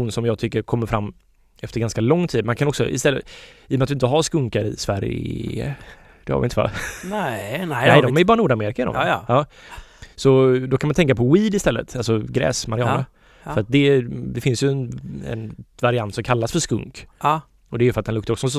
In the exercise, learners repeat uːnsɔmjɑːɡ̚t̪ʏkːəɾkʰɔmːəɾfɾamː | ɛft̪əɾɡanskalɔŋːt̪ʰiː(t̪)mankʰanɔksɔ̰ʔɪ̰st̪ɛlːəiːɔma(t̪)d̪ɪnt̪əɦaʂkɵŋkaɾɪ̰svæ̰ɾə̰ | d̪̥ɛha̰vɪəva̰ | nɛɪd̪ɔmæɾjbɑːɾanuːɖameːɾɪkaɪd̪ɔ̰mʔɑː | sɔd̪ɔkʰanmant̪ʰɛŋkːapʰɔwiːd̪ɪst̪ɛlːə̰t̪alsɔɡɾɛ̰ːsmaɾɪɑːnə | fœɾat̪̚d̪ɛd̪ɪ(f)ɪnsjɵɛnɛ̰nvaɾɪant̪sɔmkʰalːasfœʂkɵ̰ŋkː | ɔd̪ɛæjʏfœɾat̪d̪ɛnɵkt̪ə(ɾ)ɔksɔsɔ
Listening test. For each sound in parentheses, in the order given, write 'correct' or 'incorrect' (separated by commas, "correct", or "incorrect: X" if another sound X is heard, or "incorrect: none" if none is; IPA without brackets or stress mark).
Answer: incorrect: d̪, correct, correct, correct